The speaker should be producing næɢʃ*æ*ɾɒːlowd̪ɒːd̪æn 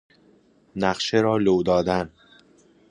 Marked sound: incorrect: e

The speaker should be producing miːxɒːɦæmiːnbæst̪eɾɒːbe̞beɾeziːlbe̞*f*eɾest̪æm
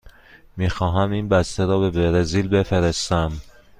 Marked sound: correct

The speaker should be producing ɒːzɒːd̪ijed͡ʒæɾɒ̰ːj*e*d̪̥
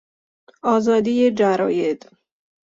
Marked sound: correct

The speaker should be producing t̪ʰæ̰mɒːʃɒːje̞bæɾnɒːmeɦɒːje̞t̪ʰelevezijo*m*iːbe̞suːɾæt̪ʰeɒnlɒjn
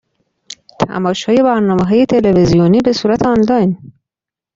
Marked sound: incorrect: n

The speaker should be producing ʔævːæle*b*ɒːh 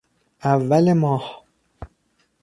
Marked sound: incorrect: m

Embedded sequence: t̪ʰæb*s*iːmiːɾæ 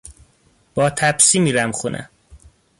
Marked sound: correct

